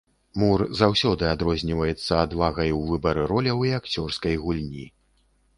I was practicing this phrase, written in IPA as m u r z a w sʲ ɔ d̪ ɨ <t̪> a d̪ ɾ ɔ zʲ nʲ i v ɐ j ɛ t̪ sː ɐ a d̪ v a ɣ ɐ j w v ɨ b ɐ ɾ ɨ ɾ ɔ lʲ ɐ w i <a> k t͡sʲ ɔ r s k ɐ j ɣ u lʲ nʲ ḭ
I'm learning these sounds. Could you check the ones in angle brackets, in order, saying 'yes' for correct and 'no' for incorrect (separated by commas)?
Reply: no, yes